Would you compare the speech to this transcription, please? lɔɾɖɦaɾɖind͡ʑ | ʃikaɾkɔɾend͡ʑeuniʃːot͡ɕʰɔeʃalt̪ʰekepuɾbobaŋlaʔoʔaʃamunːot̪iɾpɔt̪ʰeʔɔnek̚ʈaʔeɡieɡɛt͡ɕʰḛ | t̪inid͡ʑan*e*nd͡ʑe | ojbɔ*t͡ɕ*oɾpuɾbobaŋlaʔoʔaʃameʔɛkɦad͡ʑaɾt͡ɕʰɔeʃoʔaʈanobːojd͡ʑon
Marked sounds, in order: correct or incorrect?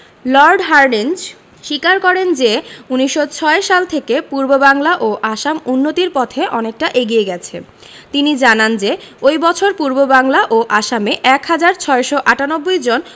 incorrect: a, incorrect: t͡ɕʰ

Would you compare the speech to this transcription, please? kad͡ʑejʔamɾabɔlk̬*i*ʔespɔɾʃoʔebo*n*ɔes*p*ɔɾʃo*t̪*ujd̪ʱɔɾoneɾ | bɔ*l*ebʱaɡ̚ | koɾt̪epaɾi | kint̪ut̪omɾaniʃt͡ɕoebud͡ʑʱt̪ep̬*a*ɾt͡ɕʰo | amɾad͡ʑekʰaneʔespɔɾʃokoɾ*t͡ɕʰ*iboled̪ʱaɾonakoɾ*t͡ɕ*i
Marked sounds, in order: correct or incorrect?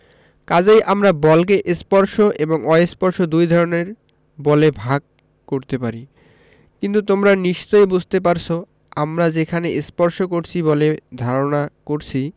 incorrect: e, incorrect: ŋ, correct, incorrect: d̪, correct, correct, correct, incorrect: t͡ɕʰ

